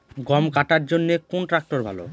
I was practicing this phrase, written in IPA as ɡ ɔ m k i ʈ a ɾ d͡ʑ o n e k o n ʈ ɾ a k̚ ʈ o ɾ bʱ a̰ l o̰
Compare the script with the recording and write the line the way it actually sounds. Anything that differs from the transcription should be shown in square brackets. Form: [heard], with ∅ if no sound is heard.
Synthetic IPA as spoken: ɡ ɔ m k [a] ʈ a ɾ d͡ʑ o [nː] e k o n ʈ ɾ a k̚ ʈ o ɾ bʱ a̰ l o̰